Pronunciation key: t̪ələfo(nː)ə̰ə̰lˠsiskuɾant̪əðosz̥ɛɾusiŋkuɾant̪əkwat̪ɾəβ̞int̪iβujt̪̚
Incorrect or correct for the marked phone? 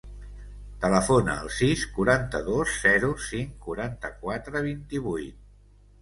incorrect: n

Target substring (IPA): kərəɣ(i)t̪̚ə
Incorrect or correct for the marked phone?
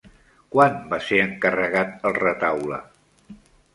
incorrect: a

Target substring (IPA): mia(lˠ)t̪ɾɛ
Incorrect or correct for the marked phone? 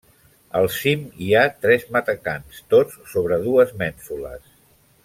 incorrect: none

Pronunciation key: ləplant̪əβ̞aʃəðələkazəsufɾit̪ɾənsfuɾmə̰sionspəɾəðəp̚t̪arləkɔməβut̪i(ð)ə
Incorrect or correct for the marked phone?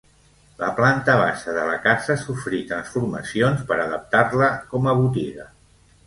incorrect: ɣ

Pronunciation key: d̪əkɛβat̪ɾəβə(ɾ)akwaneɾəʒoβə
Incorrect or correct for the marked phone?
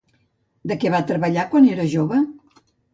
incorrect: ʎ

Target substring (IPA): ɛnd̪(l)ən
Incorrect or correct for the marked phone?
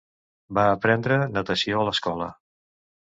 incorrect: ɾ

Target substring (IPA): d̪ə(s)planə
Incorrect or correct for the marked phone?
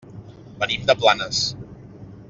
incorrect: none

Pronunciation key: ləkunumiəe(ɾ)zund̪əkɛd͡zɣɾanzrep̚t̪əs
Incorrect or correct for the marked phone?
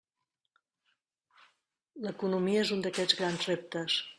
incorrect: none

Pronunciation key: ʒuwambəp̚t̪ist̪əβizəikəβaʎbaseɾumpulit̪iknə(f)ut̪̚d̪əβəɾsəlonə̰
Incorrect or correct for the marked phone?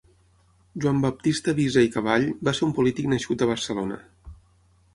incorrect: ʃ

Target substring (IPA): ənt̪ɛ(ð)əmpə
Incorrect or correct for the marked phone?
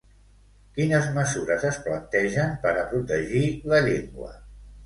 incorrect: ʒ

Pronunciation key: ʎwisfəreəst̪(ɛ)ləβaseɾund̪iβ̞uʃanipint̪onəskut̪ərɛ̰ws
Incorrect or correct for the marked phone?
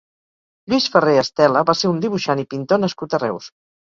correct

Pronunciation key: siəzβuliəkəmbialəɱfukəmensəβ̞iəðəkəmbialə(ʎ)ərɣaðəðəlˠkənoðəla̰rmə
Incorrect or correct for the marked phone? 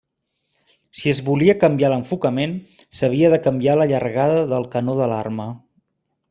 correct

